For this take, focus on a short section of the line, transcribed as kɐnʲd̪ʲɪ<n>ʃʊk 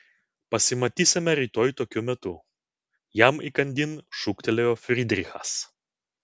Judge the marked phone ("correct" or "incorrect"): correct